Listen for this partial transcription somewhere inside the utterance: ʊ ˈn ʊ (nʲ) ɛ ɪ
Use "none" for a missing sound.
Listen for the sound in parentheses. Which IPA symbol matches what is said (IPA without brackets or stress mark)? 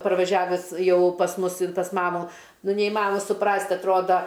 nʲ